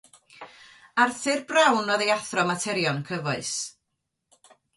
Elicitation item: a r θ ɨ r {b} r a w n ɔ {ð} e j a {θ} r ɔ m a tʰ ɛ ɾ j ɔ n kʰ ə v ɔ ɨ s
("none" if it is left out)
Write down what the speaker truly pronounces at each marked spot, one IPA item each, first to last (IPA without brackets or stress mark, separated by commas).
b, ð, θ